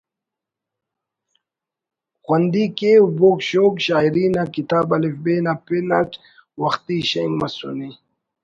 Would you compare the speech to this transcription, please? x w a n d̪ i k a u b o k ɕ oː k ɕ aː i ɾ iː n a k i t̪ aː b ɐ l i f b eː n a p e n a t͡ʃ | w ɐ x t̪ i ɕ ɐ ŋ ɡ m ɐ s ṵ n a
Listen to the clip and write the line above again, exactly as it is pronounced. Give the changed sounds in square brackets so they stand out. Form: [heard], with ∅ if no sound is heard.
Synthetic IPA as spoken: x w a n d̪ i k [e] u b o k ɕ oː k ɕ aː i ɾ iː n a k i t̪ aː b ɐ l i f b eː n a p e n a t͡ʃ | w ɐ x t̪ i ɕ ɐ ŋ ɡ m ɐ s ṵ n [i]